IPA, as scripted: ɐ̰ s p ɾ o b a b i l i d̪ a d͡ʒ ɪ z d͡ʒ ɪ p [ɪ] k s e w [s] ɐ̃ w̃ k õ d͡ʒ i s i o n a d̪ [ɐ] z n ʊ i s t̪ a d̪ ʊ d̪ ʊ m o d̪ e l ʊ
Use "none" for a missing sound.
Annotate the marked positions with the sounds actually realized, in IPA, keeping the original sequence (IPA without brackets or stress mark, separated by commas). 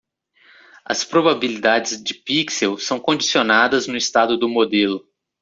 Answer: i, s, ɐ